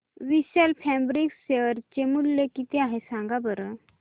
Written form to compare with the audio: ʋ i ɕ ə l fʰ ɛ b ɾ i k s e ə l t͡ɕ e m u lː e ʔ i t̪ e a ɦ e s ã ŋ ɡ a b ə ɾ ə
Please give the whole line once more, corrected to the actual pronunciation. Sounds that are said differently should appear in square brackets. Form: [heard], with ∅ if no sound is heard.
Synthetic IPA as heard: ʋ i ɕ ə l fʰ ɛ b ɾ i k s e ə [ɾ] t͡ɕ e m u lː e [k] i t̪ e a ɦ e s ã ŋ ɡ a b ə ɾ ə